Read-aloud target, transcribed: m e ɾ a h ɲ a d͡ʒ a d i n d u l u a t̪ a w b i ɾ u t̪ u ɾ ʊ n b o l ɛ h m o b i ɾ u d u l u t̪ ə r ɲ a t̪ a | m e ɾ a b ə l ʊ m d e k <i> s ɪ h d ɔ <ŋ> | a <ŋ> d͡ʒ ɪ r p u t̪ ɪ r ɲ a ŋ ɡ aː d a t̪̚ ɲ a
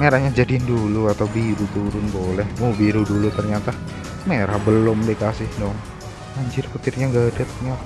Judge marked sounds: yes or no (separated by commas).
no, yes, no